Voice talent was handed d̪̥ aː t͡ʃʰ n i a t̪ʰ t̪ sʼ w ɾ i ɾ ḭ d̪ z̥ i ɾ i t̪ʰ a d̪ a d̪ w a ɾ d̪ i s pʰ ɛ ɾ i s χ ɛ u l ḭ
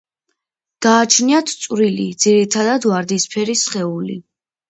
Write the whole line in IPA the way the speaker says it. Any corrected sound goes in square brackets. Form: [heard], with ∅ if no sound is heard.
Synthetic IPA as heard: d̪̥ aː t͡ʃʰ n i a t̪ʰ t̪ sʼ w ɾ i [l] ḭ d̪ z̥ i ɾ i t̪ʰ a d̪ a d̪ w a ɾ d̪ i s pʰ ɛ ɾ i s χ ɛ u l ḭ